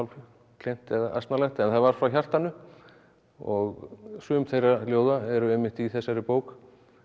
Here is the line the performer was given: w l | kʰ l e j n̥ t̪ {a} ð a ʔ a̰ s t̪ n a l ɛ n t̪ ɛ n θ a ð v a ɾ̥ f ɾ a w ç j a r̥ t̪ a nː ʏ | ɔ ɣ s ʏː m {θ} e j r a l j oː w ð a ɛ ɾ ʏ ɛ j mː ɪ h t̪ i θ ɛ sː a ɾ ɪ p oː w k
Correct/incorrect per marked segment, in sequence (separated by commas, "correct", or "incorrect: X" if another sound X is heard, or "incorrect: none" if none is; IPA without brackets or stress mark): incorrect: ɛ, correct